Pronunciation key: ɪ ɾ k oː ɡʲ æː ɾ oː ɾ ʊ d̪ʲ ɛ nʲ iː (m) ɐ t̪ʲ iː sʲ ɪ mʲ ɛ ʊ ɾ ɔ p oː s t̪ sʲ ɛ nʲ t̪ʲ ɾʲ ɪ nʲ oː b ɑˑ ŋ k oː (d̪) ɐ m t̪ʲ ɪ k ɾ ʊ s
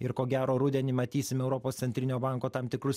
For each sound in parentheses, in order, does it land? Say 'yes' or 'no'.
yes, no

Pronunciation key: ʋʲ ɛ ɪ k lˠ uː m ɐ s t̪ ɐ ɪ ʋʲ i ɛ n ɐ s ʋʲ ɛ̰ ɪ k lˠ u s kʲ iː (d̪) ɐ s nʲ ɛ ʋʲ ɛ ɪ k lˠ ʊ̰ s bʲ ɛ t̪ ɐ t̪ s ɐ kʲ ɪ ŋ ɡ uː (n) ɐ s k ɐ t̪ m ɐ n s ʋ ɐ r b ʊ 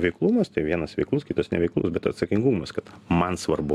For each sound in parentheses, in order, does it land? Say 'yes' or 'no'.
no, no

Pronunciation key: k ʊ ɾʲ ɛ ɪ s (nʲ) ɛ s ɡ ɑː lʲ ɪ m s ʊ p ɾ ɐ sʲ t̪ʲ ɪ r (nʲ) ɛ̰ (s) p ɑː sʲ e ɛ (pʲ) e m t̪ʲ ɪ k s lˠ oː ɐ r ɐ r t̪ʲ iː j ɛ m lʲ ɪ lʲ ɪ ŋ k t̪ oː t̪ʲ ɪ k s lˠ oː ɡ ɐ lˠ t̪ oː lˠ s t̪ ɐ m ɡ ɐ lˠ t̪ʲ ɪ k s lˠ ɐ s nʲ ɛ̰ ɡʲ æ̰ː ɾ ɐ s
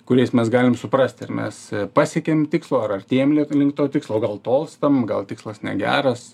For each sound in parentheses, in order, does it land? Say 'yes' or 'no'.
no, no, yes, no

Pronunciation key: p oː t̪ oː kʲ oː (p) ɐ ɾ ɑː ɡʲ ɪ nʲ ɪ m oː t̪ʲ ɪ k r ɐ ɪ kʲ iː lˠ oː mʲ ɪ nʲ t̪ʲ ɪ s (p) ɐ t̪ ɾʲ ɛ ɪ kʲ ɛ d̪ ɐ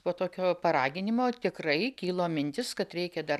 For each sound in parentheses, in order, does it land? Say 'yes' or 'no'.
yes, no

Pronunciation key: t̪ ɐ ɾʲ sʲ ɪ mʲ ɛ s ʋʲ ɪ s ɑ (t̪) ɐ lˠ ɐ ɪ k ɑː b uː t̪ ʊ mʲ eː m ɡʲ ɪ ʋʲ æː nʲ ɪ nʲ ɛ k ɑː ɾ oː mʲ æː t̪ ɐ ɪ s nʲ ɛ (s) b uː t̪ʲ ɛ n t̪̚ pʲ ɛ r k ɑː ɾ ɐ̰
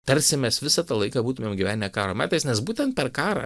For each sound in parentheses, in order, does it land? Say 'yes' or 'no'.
yes, yes

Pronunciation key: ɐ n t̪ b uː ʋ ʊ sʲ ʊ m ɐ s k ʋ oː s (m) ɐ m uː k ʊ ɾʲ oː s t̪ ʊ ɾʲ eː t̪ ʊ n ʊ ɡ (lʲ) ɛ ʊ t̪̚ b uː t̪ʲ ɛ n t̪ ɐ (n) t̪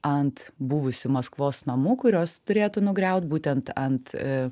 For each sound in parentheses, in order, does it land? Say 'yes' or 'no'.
no, no, yes

